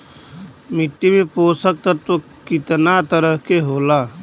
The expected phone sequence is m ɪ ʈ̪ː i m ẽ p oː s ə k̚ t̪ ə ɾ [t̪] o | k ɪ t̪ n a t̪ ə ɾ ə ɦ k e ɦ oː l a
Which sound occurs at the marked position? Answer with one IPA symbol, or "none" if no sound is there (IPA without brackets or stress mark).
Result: t̪